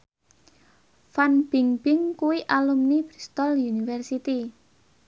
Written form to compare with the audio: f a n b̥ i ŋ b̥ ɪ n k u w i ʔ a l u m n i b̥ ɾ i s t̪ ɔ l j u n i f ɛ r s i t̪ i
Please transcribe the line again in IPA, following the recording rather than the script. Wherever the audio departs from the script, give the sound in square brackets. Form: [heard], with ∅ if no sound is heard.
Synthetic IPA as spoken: f a n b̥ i ŋ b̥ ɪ [ŋ] k u w i ʔ a l u m n i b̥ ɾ i s t̪ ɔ l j u n i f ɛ r s i t̪ i